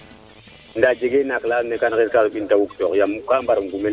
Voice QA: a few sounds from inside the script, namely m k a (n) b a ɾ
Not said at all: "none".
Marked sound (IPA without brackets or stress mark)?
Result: m